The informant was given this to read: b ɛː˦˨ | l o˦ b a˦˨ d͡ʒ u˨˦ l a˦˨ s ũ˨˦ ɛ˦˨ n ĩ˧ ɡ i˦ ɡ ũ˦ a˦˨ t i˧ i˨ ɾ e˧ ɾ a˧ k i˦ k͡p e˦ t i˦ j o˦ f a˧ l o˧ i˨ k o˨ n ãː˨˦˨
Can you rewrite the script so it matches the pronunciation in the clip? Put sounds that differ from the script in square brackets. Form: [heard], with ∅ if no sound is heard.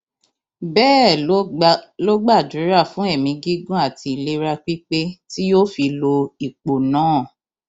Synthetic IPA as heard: b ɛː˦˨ | l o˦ [ɡ͡b] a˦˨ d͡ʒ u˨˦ [ɾ] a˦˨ [f] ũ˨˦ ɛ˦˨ [m] ĩ˧ ɡ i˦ ɡ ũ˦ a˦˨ t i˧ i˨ [l] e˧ ɾ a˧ [k͡p] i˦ k͡p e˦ t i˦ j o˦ f [i˧] l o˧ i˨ [k͡p] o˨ n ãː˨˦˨